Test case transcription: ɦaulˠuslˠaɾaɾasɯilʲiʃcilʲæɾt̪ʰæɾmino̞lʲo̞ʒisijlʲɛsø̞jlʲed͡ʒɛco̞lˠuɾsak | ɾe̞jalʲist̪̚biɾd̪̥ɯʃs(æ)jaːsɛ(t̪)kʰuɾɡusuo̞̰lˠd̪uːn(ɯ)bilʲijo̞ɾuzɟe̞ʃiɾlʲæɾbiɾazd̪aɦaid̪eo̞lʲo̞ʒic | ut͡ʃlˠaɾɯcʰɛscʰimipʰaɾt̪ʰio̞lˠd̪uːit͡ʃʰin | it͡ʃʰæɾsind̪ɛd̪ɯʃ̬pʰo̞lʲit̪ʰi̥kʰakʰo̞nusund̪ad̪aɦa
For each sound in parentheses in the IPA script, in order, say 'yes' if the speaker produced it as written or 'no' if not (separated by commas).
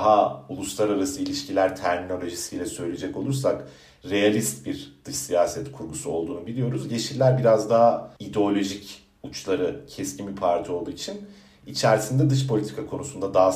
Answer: no, yes, no